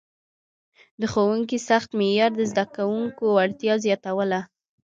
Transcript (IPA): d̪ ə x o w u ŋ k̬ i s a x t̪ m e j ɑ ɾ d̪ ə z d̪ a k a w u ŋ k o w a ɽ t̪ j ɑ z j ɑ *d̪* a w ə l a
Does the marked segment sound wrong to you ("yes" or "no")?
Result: yes